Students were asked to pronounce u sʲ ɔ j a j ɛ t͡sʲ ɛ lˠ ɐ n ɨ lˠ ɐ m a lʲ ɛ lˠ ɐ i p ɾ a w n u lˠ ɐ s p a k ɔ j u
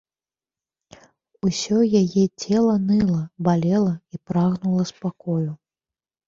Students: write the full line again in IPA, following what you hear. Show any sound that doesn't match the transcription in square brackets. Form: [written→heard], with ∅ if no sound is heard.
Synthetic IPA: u sʲ ɔ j a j ɛ t͡sʲ ɛ lˠ ɐ n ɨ lˠ ɐ [m→b] a lʲ ɛ lˠ ɐ i p ɾ a [w→ɣ] n u lˠ ɐ s p a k ɔ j u